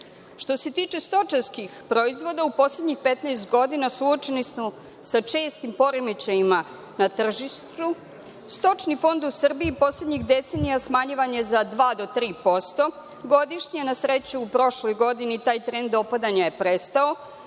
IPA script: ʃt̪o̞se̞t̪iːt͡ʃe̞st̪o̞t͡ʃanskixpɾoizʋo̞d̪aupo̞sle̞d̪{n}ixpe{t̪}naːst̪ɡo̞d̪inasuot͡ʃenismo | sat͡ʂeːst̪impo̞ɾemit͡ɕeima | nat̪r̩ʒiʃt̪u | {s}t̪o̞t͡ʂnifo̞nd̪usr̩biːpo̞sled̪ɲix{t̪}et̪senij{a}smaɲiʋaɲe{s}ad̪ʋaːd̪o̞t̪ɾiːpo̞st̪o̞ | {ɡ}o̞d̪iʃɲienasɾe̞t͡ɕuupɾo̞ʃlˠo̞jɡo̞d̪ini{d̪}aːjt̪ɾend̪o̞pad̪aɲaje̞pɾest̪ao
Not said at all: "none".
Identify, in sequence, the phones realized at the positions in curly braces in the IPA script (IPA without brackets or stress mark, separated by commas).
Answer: ɲ, t̪, s, d̪, a, z, ɡ, t̪